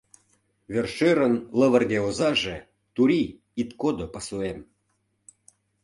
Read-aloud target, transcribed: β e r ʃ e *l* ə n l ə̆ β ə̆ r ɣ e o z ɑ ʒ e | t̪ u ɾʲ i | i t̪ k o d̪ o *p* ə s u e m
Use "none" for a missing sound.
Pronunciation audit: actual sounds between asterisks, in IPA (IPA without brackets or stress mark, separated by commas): ɾ, p